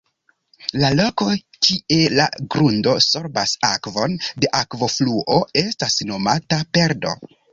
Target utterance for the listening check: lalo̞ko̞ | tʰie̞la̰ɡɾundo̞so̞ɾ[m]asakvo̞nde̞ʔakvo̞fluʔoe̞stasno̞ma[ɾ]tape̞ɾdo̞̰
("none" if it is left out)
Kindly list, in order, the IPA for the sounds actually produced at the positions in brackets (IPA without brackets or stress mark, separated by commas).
b, none